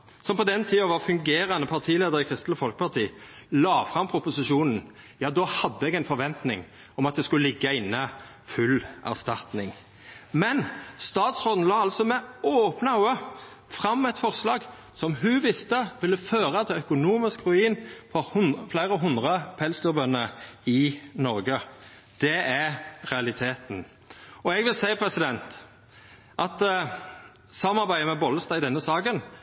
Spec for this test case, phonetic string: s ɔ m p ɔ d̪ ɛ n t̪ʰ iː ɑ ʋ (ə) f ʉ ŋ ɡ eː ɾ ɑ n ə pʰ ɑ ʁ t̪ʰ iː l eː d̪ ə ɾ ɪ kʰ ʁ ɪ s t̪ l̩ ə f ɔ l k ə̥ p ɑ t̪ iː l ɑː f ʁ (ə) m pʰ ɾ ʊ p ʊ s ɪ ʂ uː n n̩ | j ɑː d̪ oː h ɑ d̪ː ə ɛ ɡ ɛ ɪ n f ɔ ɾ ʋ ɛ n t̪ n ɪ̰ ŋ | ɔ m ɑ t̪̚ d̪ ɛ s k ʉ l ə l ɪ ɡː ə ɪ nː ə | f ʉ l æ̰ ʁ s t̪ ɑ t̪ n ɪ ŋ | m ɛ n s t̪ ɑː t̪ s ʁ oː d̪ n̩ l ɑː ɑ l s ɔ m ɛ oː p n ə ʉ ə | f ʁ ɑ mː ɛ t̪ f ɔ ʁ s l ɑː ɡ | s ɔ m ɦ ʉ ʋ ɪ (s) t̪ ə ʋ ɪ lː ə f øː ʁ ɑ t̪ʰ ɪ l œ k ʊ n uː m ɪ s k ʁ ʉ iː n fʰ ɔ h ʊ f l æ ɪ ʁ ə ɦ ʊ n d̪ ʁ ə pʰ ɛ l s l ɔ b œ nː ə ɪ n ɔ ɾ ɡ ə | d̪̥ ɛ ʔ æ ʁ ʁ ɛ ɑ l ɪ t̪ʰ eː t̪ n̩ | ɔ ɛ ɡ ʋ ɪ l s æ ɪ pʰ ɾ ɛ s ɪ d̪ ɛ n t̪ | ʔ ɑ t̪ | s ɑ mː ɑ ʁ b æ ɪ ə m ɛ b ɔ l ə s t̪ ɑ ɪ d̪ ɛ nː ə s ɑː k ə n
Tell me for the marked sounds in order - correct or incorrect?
incorrect: ɑ, incorrect: ɑ, correct

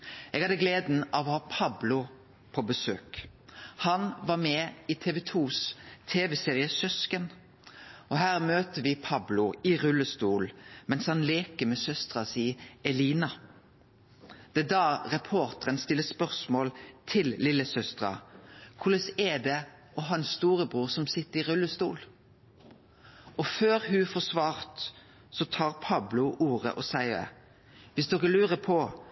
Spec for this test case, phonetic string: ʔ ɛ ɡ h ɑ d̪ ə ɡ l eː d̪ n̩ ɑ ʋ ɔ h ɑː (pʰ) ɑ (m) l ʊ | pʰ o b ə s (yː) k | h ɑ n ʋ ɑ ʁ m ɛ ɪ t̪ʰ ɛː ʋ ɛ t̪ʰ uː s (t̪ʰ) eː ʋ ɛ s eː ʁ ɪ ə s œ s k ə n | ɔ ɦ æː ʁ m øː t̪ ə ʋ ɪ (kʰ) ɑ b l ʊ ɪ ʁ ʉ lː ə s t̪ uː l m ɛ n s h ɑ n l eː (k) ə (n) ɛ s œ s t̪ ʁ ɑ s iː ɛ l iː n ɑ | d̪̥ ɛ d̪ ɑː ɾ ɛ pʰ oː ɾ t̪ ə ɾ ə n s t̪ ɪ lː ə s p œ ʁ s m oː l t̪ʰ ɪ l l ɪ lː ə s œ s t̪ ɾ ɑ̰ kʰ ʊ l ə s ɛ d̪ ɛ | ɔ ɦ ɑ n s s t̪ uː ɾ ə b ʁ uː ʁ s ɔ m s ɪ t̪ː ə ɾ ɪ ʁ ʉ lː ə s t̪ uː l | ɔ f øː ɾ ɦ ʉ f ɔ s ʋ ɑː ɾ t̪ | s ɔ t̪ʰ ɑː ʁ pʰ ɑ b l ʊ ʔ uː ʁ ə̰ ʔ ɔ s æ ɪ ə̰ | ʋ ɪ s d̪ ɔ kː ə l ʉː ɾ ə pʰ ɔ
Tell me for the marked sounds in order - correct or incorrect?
correct, incorrect: b, incorrect: øː, correct, incorrect: pʰ, correct, incorrect: m

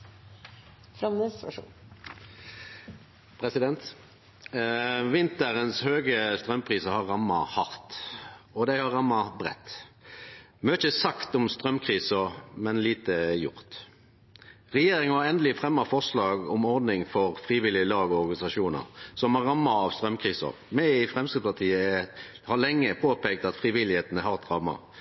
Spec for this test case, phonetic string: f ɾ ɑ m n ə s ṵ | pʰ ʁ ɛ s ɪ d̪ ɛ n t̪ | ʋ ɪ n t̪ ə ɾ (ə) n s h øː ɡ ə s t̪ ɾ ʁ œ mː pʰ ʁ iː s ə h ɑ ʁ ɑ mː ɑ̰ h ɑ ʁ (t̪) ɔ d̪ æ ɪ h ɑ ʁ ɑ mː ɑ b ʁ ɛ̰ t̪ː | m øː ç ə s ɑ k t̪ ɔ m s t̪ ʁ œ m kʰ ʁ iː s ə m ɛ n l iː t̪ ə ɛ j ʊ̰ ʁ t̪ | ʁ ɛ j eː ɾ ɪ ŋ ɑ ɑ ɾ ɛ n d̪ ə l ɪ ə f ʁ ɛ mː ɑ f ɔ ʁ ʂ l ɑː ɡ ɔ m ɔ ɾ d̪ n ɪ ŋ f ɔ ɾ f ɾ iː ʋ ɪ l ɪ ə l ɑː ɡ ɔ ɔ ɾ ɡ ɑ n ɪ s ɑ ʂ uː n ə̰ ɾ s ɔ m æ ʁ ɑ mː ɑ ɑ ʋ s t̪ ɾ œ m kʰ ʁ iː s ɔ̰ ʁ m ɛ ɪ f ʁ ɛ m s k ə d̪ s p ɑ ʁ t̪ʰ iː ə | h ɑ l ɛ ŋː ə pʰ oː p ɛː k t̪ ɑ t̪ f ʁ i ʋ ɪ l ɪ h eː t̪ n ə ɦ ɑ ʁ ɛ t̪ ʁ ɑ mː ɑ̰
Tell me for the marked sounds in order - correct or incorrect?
correct, correct

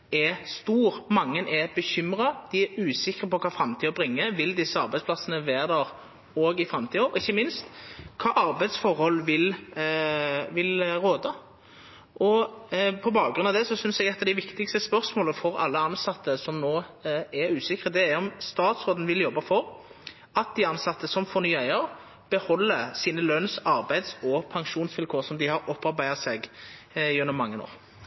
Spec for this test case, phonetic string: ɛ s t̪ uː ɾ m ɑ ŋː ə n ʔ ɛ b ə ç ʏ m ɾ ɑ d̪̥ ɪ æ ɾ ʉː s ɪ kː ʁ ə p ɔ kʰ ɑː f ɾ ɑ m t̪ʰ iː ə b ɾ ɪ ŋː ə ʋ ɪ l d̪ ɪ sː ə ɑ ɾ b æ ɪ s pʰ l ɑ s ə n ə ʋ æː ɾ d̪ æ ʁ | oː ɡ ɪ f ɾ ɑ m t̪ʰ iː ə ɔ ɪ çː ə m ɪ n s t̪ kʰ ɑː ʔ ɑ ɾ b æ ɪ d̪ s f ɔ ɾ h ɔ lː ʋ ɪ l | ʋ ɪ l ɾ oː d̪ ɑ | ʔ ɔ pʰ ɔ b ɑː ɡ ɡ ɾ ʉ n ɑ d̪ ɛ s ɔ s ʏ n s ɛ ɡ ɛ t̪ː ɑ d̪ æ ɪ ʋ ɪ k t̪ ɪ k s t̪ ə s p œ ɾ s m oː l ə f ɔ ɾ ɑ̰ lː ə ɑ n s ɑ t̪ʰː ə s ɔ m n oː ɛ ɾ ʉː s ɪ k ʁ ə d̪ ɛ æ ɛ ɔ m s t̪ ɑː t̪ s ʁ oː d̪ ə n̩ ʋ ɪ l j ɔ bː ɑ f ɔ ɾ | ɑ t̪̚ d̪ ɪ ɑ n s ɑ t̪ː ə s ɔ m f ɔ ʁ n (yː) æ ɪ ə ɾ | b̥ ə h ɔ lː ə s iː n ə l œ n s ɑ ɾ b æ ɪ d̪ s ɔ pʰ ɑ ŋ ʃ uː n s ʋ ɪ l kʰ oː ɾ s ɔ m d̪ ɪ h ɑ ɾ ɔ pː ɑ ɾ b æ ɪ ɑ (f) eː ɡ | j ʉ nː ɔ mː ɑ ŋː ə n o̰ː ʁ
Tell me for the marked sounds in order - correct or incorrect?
correct, incorrect: s

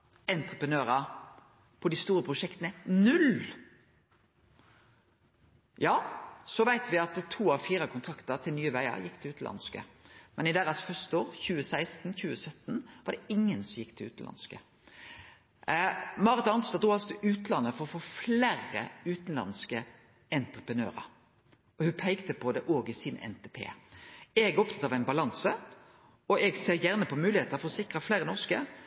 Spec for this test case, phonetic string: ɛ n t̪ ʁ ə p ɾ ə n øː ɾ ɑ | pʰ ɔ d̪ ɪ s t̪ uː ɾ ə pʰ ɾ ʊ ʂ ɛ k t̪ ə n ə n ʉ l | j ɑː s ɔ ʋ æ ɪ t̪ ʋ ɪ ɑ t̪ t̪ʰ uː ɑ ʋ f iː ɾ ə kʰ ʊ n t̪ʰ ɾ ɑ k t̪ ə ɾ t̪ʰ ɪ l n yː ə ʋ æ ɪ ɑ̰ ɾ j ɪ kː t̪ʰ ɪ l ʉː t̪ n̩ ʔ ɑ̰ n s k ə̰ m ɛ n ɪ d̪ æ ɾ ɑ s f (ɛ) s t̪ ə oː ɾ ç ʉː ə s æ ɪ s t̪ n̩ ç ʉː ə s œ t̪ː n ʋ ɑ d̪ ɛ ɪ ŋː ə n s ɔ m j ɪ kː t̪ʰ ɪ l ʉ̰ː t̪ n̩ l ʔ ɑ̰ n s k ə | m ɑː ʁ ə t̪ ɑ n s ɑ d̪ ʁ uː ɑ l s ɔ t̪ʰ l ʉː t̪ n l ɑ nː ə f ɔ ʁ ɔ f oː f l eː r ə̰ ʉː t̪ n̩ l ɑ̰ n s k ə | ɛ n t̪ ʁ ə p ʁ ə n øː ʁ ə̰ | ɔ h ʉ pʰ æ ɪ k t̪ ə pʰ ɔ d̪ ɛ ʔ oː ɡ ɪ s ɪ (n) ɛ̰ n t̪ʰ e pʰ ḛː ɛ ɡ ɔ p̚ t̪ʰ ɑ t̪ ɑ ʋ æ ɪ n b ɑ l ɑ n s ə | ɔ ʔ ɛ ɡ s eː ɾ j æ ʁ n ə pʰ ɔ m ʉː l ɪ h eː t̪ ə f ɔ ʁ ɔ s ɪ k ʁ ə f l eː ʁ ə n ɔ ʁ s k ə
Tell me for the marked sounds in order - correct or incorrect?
incorrect: œ, correct

